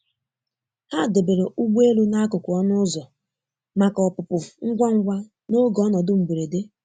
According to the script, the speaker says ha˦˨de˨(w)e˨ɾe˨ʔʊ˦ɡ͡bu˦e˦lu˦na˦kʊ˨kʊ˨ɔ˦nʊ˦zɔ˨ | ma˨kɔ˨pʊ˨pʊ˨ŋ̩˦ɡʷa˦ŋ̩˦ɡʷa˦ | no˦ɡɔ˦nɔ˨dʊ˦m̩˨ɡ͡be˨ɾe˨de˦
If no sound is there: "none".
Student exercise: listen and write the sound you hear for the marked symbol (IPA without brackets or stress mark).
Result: b